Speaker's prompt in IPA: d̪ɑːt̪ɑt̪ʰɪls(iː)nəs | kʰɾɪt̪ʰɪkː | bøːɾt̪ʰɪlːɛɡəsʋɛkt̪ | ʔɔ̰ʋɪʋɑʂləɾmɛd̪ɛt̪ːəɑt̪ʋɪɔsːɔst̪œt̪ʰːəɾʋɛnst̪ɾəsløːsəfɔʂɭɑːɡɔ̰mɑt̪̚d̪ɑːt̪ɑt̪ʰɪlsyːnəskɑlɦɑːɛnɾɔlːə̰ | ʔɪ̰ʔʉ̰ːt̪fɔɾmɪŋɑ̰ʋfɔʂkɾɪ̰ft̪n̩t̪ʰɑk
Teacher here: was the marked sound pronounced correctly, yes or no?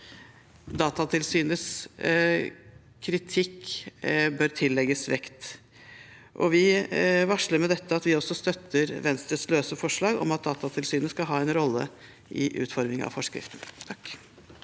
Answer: no